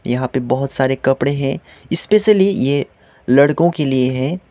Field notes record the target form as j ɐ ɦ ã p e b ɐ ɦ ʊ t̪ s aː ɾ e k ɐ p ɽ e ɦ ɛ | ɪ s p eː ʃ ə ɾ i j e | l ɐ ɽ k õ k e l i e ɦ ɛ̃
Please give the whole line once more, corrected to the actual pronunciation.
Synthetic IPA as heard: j ɐ ɦ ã p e b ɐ ɦ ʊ t̪ s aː ɾ e k ɐ p ɽ e ɦ ɛ̃ | ɪ s p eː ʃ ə l i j e | l ɐ ɽ k õ k e l i e ɦ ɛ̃